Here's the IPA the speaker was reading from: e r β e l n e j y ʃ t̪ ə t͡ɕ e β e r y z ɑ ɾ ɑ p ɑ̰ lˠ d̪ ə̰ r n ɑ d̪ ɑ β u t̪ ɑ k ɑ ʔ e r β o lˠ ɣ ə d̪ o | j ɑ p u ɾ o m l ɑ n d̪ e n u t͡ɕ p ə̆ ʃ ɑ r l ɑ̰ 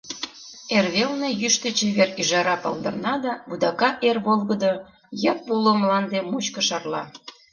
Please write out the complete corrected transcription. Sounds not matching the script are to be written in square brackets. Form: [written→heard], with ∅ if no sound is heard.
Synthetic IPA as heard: e r β e l n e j y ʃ t̪ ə t͡ɕ e β e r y [z→ʒ] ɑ ɾ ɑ p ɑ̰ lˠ d̪ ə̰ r n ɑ d̪ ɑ β u [t̪→d̪] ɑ k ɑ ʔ e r β o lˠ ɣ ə d̪ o | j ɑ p u [ɾ→l] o m l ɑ n d̪ e [n→m] u t͡ɕ [p→k] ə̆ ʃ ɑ r l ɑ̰